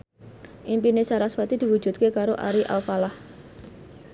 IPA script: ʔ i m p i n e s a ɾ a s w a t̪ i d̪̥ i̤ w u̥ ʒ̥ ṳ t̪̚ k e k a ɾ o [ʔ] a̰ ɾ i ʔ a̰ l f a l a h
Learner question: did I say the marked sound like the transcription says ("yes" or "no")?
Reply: yes